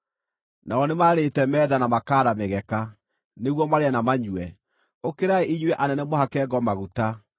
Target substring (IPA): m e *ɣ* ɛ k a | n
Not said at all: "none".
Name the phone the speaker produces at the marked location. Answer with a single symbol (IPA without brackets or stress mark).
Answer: ɣ